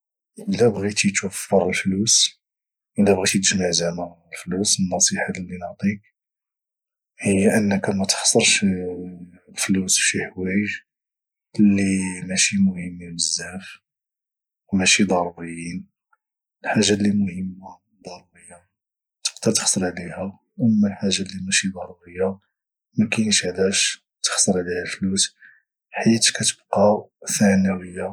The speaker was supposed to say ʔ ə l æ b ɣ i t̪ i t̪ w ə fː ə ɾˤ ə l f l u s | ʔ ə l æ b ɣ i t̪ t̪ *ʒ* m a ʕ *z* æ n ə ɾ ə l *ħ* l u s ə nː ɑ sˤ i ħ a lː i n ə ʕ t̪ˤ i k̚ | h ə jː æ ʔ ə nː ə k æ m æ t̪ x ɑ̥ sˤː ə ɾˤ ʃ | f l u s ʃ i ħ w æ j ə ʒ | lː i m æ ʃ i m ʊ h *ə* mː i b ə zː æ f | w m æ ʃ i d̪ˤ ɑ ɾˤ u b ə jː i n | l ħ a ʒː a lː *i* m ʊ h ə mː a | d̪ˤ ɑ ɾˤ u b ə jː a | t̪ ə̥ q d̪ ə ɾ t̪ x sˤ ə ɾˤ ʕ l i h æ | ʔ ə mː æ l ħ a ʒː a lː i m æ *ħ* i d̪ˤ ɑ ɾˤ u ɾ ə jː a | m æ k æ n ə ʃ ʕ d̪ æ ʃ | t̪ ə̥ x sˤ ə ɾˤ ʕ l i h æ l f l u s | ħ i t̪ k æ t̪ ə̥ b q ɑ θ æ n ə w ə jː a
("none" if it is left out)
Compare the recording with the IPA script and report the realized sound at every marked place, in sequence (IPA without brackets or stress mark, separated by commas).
ʒ, z, f, ə, i, ʃ